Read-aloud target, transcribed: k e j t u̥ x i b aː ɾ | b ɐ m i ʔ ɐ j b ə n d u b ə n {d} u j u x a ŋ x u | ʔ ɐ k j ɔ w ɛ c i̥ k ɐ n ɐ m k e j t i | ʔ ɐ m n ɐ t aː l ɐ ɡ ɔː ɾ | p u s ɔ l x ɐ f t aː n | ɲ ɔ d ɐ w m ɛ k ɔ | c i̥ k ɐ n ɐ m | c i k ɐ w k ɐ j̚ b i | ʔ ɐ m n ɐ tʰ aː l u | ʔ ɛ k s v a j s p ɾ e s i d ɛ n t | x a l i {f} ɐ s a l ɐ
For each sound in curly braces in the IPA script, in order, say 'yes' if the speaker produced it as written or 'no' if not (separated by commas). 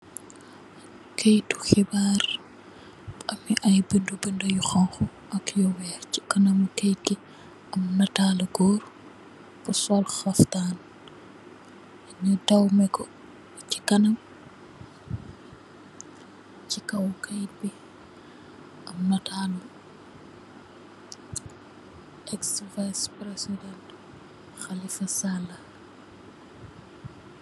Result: yes, yes